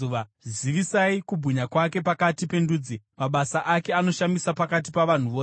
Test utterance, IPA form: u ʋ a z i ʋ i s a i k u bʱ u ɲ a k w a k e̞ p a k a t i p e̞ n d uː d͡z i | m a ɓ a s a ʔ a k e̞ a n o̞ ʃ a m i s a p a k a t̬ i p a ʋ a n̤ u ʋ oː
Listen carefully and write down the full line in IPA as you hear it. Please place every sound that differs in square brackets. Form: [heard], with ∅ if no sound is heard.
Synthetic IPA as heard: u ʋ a z i ʋ i s a i k u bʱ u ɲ a k w a k e̞ p a k a t i p e̞ n d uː d͡z i | m a ɓ a s a ʔ a k e̞ a n o̞ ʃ a m i s a p a k a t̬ i p a ʋ a n̤ u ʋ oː